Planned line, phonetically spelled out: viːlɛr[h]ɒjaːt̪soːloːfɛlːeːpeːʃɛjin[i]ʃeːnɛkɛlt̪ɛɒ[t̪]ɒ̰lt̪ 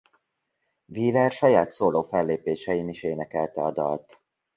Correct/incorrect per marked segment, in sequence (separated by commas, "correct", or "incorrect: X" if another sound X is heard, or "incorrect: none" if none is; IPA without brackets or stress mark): incorrect: ʃ, correct, incorrect: d̪